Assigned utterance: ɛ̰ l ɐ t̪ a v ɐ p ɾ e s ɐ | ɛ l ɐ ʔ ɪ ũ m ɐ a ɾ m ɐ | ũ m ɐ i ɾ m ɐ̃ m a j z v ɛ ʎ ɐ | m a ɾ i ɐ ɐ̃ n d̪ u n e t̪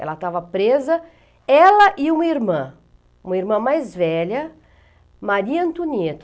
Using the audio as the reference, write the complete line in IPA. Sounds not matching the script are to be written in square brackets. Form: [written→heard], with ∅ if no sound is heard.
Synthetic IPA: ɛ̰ l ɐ t̪ a v ɐ p ɾ e [s→z] ɐ | ɛ l ɐ ʔ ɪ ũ m ɐ [a→i] ɾ m [ɐ→ɐ̃] | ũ m ɐ i ɾ m ɐ̃ m a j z v ɛ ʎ ɐ | m a ɾ i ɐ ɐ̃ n [d̪→t̪] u n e t̪

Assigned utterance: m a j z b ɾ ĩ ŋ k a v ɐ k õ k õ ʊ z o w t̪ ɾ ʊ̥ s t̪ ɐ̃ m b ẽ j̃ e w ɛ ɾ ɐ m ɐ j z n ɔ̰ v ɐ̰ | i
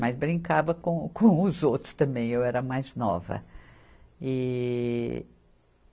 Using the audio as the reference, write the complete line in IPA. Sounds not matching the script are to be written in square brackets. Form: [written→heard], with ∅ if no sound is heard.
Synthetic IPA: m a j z b ɾ ĩ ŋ k a v ɐ k õ k õ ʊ z o w t̪ ɾ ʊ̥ s t̪ ɐ̃ m b ẽ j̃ e w ɛ ɾ ɐ m [ɐ→a] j z n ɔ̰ v ɐ̰ | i

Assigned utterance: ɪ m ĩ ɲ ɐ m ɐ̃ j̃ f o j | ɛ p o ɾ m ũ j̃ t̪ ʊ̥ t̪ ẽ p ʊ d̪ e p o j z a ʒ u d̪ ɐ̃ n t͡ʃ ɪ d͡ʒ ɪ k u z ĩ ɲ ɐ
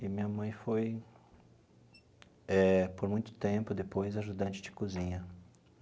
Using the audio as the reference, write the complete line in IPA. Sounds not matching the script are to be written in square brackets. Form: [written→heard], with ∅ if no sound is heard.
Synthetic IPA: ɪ m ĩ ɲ ɐ m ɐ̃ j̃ f o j | ɛ p o ɾ m ũ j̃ t̪ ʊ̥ t̪ ẽ p ʊ d̪ e p o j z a ʒ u d̪ ɐ̃ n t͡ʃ ɪ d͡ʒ ɪ k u z ĩ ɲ ɐ

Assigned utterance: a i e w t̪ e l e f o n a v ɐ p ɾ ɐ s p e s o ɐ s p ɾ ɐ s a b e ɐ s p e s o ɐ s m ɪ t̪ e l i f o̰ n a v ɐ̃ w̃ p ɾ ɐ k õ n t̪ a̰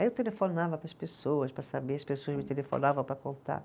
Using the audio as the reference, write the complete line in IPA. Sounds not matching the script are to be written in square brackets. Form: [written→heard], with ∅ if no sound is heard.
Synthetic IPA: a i e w t̪ e l e f o n a v ɐ p ɾ ɐ s p e s o ɐ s p ɾ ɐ s a b e ɐ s p e s o ɐ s m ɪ t̪ e l [i→e] f o̰ n a v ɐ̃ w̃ p ɾ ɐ k õ n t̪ a̰

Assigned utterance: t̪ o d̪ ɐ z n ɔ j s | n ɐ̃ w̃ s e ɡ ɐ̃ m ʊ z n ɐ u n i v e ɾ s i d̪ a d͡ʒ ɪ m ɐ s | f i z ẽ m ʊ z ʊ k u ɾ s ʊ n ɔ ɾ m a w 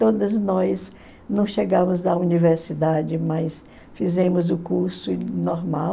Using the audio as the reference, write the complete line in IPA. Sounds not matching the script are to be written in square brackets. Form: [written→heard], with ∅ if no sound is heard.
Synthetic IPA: t̪ o d̪ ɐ z n ɔ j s | n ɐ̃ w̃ [s→ʃ] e ɡ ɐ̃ m ʊ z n ɐ u n i v e ɾ s i d̪ a d͡ʒ ɪ m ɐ s | f i z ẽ m ʊ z ʊ k u ɾ s ʊ n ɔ ɾ m a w

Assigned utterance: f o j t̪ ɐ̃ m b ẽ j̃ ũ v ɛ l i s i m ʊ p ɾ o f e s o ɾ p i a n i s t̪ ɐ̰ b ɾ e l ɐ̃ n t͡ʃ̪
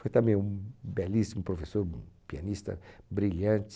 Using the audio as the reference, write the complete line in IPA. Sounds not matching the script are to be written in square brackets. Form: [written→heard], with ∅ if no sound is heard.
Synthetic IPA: f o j t̪ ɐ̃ m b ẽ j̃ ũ [v→b] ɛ l i s i m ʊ p ɾ o f e s o ɾ p i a n i s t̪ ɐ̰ b ɾ [e→i] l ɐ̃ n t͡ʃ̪

